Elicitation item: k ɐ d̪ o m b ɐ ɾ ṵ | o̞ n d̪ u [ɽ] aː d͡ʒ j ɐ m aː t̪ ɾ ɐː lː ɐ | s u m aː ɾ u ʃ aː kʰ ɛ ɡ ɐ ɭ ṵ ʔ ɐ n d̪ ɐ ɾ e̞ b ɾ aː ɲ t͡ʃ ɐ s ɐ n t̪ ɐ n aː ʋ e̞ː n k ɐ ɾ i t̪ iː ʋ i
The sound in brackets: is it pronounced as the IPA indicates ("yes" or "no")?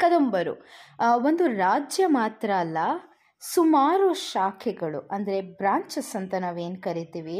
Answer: no